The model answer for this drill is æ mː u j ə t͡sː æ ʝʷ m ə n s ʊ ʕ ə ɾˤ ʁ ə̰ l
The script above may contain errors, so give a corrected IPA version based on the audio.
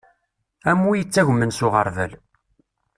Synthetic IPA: æ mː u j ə t͡sː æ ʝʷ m ə n s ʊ ʁ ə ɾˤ v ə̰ l